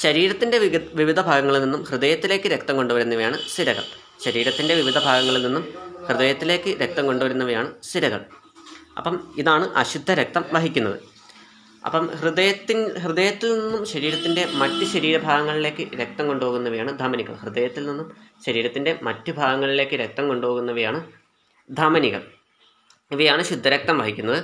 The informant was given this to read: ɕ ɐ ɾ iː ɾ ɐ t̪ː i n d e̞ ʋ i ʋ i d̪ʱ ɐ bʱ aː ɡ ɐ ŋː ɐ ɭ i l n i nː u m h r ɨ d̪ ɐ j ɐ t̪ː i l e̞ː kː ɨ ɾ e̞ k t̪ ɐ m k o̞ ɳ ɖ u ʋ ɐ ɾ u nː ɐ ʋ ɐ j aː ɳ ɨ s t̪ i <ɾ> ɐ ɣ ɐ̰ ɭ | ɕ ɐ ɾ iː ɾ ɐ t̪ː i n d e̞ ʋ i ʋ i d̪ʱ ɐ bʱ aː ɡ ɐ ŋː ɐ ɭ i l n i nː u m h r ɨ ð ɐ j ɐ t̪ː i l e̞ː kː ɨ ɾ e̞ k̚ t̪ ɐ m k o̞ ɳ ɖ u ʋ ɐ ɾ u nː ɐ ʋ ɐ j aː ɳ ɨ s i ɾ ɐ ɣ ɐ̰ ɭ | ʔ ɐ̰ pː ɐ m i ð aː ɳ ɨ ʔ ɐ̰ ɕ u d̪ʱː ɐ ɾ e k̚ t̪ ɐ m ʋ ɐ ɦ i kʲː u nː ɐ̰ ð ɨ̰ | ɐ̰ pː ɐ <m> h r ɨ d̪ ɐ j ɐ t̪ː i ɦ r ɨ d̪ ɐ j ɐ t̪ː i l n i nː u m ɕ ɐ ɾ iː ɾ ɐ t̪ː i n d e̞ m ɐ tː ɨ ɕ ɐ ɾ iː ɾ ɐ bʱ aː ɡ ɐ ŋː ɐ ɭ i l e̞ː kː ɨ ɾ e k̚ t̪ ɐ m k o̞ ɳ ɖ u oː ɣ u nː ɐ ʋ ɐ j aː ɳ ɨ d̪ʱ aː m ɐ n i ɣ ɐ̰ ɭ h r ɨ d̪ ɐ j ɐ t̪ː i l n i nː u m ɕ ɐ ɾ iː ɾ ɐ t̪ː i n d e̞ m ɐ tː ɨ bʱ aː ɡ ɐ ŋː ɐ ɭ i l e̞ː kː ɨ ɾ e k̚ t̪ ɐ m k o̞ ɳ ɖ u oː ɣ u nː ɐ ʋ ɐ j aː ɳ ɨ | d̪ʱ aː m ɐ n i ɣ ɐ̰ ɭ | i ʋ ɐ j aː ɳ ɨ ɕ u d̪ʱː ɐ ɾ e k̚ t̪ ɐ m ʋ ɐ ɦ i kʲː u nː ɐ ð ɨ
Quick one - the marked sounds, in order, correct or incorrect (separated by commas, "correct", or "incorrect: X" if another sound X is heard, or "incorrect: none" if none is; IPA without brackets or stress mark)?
correct, correct